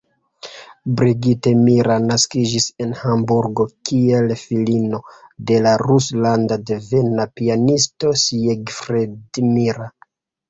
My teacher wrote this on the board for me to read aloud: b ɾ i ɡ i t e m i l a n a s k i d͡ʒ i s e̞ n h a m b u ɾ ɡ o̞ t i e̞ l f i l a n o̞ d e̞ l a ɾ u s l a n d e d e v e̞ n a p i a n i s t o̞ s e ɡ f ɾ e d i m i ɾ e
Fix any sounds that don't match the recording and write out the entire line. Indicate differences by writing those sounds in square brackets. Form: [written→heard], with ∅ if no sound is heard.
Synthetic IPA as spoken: b ɾ i ɡ i t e m i [l→ɾ] a n a s k i d͡ʒ i s e̞ n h a m b u ɾ ɡ o̞ [t→k] i e̞ l f i l [a→i] n o̞ d e̞ l a ɾ u s l a n d [e→a] d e v e̞ n a p i a n i s t o̞ s e ɡ f ɾ e d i m i ɾ [e→a]